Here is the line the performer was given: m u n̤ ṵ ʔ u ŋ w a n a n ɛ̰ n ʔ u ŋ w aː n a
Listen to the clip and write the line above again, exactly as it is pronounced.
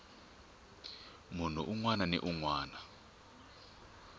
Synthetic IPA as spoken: m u n̤ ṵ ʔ u ŋ w a n a n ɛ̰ ʔ u ŋ w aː n a